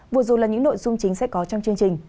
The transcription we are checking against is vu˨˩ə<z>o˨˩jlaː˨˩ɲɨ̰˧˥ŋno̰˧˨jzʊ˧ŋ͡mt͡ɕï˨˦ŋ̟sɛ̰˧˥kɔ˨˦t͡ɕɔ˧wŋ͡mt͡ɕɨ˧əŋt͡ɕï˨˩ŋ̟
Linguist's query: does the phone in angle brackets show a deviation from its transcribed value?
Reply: no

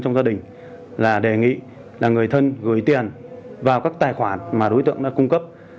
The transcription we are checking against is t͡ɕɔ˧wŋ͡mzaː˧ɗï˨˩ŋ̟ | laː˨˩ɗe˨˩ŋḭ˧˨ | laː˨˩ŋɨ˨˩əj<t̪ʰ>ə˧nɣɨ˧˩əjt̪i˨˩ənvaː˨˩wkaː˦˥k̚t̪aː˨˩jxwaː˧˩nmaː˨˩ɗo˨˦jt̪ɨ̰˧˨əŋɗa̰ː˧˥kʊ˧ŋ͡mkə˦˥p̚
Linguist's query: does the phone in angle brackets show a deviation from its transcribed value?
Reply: no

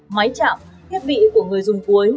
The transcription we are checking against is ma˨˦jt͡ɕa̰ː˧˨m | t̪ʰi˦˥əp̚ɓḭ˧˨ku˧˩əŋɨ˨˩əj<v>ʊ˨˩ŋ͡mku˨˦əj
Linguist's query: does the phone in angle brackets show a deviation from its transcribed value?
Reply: yes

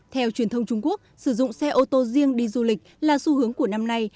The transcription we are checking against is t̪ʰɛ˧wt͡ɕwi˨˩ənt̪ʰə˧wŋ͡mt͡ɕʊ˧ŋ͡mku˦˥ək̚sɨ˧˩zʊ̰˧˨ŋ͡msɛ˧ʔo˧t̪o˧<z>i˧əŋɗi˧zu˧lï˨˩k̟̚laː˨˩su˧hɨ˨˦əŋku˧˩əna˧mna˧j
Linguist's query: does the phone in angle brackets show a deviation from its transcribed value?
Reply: no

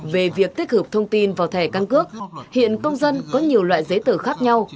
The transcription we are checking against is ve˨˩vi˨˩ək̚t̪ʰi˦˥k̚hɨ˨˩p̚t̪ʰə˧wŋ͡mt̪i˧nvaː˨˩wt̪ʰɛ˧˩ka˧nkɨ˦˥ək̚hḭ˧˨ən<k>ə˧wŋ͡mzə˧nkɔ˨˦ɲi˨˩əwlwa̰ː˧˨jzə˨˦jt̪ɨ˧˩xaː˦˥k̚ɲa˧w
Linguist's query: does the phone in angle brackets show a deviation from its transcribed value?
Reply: no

